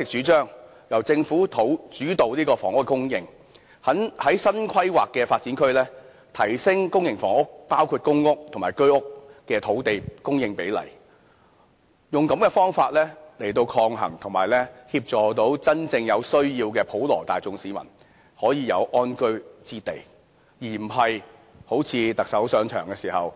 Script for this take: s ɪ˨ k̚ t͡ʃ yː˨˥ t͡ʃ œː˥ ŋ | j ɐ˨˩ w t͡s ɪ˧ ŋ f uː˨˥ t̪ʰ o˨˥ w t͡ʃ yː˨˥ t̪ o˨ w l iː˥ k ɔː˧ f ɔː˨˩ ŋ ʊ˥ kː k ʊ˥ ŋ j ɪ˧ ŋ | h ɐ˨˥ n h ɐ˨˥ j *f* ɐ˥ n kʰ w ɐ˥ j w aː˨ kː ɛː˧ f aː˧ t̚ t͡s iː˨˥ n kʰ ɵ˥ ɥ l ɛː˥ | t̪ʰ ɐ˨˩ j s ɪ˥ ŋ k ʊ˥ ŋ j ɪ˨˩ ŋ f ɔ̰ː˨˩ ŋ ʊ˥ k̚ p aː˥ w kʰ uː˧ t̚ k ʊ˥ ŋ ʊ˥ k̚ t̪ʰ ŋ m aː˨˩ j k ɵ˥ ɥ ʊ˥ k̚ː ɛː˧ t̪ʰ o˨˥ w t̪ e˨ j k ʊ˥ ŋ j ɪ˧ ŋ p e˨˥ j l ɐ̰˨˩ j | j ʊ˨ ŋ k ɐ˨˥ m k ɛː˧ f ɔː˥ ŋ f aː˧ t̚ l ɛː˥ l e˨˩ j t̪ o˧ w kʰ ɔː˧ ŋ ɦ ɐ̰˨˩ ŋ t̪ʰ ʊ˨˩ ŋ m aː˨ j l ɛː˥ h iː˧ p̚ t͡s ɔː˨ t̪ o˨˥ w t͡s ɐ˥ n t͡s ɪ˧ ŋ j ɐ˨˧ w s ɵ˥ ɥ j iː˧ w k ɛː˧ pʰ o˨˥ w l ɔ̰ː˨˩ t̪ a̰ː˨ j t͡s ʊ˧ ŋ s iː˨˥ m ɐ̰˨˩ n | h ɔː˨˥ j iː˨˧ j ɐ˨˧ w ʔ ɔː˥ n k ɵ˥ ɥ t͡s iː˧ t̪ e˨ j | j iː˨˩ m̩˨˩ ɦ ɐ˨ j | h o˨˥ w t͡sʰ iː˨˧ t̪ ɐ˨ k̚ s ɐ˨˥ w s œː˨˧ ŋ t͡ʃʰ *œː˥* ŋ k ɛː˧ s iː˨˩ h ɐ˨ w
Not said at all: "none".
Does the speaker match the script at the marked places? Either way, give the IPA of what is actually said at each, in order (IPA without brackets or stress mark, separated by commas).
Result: s, œː˨˩